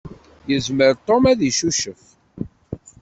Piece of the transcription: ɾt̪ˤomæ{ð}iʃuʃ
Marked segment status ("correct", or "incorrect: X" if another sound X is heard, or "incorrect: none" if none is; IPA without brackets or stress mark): correct